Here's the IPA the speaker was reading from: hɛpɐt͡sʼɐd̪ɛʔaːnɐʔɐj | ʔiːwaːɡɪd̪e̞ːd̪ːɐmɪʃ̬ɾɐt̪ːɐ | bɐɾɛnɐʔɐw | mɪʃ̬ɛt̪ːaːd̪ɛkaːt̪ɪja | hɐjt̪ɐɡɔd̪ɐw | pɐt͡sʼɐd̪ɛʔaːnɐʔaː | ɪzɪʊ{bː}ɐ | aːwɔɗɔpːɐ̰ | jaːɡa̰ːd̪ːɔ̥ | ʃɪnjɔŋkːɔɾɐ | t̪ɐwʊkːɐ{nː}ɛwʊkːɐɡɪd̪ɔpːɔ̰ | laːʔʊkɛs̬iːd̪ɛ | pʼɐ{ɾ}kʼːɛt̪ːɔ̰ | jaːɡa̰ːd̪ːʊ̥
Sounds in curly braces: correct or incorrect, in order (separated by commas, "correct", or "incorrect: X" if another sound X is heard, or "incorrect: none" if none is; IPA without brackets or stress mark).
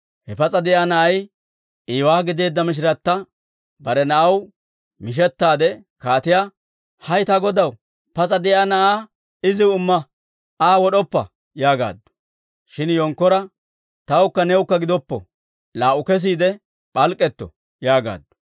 incorrect: mː, incorrect: n, incorrect: l